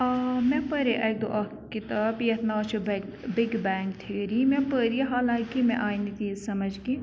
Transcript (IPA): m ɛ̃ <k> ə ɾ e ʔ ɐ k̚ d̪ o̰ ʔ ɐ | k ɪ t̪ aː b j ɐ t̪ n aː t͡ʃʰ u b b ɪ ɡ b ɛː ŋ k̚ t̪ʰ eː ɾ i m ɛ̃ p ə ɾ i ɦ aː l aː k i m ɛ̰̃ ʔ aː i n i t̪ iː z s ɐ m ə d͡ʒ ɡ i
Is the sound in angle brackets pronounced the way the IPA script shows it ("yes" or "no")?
no